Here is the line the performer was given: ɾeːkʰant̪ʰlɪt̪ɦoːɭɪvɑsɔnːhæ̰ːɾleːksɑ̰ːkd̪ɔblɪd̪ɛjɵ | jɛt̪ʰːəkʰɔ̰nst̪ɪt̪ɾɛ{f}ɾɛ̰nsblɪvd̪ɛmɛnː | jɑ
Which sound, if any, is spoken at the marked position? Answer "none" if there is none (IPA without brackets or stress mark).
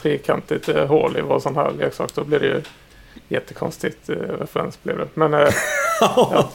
f